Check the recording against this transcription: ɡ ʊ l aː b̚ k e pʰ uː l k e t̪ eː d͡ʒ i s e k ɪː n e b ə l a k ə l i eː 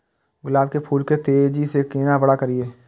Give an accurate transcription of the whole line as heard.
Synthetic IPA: ɡ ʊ l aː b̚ k e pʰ uː l k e t̪ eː d͡ʒ i s e k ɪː n a b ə ɽ a k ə ɾ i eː